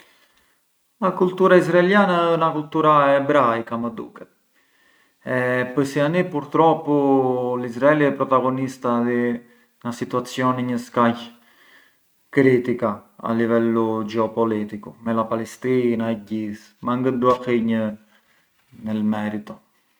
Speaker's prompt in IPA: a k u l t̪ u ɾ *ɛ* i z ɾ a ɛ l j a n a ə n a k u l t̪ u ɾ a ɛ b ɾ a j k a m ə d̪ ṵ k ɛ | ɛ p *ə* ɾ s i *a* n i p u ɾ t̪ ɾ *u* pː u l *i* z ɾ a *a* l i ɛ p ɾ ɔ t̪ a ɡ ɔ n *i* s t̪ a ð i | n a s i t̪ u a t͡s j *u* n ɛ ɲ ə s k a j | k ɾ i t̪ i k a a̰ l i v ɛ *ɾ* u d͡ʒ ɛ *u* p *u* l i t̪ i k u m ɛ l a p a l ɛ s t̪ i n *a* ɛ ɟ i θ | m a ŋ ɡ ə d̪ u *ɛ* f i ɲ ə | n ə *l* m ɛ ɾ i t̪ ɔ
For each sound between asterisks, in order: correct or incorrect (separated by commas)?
incorrect, correct, correct, incorrect, correct, incorrect, correct, incorrect, incorrect, incorrect, incorrect, correct, incorrect, correct